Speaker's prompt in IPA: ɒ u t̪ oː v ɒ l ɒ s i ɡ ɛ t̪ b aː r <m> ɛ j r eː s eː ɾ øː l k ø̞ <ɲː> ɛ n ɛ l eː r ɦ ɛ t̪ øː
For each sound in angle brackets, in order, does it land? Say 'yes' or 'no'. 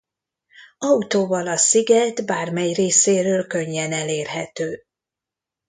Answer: yes, yes

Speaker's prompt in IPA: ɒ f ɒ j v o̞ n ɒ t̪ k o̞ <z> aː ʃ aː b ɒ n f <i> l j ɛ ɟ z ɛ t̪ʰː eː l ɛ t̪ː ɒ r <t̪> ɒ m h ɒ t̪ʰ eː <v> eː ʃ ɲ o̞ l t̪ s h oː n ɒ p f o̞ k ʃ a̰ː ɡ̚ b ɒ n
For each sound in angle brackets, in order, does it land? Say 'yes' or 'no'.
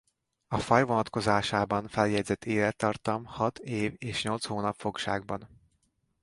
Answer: yes, no, yes, yes

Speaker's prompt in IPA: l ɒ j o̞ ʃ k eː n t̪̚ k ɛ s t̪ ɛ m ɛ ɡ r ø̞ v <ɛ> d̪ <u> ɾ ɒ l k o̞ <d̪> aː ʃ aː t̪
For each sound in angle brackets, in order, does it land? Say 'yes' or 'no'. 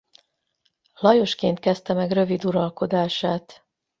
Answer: no, yes, yes

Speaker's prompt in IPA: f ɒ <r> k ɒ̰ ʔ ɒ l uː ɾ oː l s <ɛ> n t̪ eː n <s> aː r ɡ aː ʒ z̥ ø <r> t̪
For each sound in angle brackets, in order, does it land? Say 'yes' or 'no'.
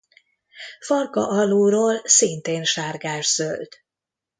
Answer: yes, no, no, no

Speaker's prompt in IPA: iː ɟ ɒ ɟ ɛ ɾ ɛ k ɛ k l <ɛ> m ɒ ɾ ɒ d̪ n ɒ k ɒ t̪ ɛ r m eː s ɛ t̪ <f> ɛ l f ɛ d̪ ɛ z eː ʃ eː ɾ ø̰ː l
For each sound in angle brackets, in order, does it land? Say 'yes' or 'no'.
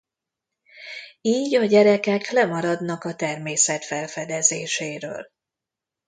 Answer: yes, yes

